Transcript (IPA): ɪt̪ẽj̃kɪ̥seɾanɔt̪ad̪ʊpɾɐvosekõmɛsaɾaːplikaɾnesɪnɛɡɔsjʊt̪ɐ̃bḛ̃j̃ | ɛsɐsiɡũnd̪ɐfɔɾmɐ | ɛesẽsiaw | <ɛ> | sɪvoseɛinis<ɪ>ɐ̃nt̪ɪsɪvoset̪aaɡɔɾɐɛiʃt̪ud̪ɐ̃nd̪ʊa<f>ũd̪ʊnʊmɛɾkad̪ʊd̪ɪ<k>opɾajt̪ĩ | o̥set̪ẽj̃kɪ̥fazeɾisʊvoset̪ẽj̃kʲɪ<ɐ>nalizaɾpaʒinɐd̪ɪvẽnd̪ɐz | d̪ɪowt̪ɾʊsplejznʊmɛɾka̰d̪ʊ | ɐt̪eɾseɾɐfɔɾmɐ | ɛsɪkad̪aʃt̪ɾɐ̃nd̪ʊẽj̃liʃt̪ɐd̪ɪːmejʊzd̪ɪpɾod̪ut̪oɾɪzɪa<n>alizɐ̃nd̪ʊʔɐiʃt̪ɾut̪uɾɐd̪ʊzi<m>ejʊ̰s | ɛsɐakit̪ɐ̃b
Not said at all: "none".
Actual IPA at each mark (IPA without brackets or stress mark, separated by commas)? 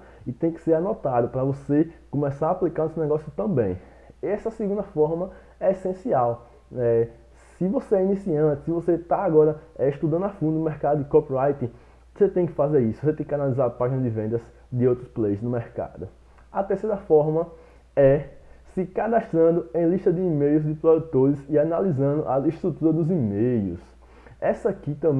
ɛ, i, f, k, a, n, m